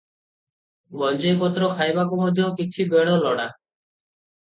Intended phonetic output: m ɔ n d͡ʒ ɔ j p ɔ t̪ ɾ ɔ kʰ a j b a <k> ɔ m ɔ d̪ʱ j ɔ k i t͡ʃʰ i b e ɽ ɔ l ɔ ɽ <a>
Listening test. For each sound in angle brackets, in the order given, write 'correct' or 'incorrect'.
correct, correct

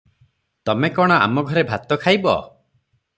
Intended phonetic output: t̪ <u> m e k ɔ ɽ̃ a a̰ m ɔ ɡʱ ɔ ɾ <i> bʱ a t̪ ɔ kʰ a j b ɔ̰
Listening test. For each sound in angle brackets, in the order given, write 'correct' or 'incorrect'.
incorrect: ɔ, incorrect: e

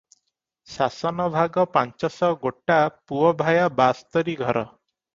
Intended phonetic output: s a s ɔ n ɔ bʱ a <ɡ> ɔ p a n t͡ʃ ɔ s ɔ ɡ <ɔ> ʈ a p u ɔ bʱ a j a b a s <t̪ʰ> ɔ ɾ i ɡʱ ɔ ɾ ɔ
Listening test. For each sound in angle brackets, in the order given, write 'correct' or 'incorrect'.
correct, incorrect: o, incorrect: t̪

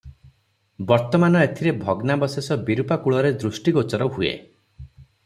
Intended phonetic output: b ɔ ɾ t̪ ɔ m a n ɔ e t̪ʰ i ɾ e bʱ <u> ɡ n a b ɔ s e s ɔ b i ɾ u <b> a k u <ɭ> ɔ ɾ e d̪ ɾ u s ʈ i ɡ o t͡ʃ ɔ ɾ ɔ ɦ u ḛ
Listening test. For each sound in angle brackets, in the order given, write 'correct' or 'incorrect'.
incorrect: ɔ, incorrect: p, correct

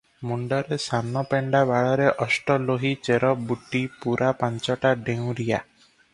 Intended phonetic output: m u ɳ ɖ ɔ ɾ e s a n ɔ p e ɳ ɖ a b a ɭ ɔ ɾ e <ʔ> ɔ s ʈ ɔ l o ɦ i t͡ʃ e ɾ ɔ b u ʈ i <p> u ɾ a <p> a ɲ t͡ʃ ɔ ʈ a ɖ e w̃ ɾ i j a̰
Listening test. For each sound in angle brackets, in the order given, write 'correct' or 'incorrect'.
correct, correct, correct

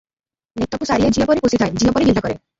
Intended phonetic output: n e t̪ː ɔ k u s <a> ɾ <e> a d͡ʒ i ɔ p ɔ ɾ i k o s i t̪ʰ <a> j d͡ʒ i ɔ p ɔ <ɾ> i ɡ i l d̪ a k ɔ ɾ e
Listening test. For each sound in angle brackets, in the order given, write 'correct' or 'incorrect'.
correct, incorrect: i, correct, correct

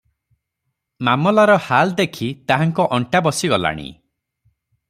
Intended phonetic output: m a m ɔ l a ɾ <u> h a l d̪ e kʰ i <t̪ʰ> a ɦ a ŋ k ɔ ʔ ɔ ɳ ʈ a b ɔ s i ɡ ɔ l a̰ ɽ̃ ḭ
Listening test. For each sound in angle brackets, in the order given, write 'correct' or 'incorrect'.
incorrect: ɔ, incorrect: t̪

